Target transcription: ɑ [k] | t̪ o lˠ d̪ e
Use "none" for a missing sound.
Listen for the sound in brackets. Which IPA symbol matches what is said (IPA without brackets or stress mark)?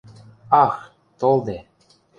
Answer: x